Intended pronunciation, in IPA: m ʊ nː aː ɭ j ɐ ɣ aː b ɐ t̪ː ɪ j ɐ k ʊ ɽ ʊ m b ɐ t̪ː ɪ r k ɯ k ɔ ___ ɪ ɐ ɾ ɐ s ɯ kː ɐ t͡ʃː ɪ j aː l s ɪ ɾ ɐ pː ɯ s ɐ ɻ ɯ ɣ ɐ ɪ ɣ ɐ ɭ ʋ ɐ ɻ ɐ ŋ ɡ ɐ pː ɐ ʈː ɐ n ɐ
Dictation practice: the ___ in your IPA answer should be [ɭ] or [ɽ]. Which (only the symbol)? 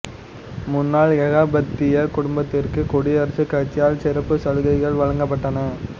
ɽ